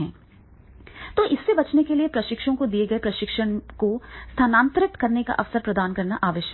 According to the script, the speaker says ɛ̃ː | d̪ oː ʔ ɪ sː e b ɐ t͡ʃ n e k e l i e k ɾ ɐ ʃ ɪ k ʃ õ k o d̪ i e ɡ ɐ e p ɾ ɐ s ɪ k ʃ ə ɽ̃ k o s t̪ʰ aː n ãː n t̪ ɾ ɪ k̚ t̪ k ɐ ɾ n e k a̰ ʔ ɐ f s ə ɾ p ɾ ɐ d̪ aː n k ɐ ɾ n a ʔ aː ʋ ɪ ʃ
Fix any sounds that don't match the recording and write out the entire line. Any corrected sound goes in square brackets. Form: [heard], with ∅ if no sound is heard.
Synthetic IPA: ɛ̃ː | [t̪] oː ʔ ɪ sː e b ɐ t͡ʃ n e k e l i e [p] ɾ ɐ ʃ ɪ k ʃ õ k o d̪ i e ɡ ɐ e p ɾ ɐ [ʃ] ɪ k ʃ ə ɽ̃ k o s t̪ʰ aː n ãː n t̪ ɾ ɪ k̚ t̪ k ɐ ɾ n e k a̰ ʔ ɐ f s ə ɾ p ɾ ɐ d̪ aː n k ɐ ɾ n a ʔ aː ʋ ɪ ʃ

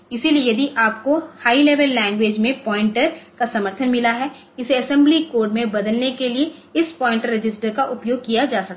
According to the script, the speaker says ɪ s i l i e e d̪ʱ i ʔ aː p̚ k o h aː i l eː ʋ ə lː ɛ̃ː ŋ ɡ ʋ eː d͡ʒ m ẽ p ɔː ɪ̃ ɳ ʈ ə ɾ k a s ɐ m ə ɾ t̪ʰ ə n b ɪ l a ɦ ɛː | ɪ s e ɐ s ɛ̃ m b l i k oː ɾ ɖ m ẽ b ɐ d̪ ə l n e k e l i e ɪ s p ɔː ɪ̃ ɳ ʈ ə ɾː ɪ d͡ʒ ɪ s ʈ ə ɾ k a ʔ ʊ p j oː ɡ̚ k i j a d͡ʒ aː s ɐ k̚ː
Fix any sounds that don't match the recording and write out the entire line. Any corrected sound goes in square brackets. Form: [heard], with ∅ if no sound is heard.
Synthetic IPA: ɪ s i l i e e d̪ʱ i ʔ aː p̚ k o h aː i l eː ʋ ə lː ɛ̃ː ŋ ɡ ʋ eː d͡ʒ m ẽ p ɔː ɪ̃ ɳ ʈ ə ɾ k a s ɐ m ə ɾ t̪ʰ ə n [m] ɪ l a ɦ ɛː | ɪ s e ɐ s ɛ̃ m b l i k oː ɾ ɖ m ẽ b ɐ d̪ ə l n e k e l i e ɪ s p ɔː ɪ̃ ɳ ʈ ə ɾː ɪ d͡ʒ ɪ s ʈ ə ɾ k a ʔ ʊ p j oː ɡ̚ k i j a d͡ʒ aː s ɐ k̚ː

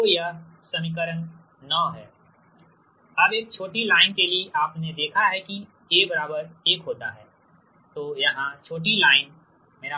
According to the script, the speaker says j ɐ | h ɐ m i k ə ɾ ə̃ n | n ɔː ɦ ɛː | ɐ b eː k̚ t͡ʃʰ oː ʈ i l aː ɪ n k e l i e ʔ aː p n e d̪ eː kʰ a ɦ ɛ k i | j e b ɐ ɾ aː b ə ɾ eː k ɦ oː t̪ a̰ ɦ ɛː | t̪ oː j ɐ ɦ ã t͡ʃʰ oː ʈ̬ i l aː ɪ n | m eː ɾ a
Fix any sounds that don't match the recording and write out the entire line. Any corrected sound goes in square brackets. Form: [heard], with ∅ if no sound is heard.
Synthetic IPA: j [a] | [s] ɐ m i k ə ɾ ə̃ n | n ɔː ɦ ɛː | ɐ b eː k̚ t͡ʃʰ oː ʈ i l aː ɪ n k e l i e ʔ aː p n e d̪ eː kʰ a ɦ ɛ k i | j e b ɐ ɾ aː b ə ɾ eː k ɦ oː t̪ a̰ ɦ ɛː | t̪ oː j ɐ ɦ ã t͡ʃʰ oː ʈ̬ i l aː ɪ n | m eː ɾ a

